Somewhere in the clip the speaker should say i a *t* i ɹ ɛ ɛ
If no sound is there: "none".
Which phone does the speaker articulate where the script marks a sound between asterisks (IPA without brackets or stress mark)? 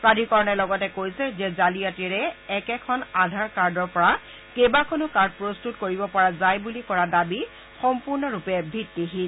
t